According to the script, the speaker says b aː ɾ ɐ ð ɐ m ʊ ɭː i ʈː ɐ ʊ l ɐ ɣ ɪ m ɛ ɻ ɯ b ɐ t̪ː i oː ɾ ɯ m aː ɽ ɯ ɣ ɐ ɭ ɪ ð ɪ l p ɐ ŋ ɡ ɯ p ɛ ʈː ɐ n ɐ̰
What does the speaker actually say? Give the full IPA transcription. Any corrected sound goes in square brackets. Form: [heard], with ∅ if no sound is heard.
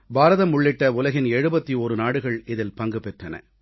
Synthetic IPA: b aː ɾ ɐ ð ɐ m ʊ ɭː [ɪ] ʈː ɐ ʊ l ɐ ɣ ɪ [n] ɛ ɻ ɯ b ɐ t̪ː i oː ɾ ɯ [n] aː ɽ ɯ ɣ ɐ ɭ ɪ ð ɪ l p ɐ ŋ ɡ ɯ p ɛ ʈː ɐ n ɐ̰